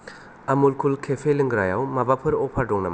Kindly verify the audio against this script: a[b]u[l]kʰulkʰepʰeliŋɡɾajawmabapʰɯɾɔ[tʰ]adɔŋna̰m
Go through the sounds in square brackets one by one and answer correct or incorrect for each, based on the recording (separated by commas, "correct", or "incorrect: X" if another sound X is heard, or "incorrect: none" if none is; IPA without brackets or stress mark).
incorrect: m, correct, incorrect: pʰ